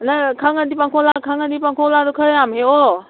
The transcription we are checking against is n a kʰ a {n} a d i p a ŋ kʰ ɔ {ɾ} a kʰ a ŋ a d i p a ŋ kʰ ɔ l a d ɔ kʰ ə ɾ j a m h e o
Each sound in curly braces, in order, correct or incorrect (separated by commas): incorrect, incorrect